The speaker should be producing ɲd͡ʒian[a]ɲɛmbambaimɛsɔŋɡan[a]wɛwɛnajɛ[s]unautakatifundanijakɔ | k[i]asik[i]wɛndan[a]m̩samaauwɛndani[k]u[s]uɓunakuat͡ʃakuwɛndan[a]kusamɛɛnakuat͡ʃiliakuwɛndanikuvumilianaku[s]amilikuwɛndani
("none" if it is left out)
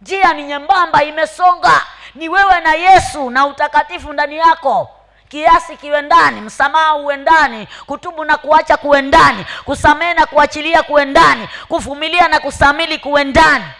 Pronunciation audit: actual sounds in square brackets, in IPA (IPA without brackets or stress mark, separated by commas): i, i, s, i, i, i, k, t, i, s